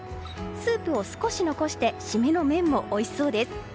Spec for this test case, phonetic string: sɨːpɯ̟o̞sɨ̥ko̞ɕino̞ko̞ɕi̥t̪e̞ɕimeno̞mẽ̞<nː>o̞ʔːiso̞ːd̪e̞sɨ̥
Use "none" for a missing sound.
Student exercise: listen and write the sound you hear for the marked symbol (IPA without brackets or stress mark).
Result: mː